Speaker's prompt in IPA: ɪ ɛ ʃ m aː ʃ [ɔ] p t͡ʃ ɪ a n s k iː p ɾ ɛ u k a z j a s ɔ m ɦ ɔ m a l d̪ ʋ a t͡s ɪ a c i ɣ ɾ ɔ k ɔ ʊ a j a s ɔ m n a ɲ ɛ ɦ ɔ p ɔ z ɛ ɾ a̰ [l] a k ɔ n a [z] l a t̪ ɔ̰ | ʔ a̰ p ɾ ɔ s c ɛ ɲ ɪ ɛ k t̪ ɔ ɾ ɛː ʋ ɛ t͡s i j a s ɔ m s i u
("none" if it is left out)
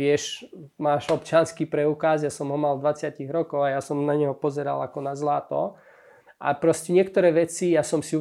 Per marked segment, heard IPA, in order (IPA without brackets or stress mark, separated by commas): ɔ, l, z